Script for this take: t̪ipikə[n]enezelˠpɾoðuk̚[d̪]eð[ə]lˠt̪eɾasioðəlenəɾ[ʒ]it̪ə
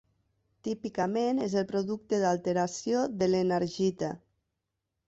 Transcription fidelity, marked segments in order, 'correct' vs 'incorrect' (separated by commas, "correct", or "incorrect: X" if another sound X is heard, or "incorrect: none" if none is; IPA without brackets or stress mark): incorrect: m, incorrect: t̪, incorrect: a, correct